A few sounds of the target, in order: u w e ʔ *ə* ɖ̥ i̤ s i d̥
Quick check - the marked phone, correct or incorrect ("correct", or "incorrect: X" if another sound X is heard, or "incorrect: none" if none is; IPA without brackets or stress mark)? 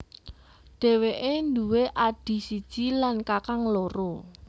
incorrect: a